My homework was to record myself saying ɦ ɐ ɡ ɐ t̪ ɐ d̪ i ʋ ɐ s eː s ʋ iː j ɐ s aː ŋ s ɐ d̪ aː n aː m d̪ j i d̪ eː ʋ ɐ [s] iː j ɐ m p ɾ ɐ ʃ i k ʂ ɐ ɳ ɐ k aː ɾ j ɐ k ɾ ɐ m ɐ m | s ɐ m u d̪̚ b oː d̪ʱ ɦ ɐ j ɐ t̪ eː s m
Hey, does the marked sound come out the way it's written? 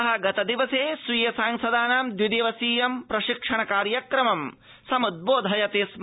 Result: yes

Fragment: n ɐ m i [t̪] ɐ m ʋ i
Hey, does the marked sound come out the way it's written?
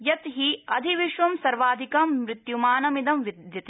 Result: no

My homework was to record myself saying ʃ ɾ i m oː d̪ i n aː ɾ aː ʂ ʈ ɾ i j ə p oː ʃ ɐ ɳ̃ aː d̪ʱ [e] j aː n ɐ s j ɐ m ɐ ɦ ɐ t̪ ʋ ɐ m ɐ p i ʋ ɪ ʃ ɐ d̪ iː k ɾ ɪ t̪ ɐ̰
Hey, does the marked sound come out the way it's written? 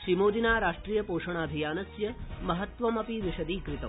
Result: no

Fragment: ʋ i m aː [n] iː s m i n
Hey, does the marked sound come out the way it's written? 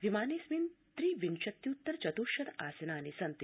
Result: yes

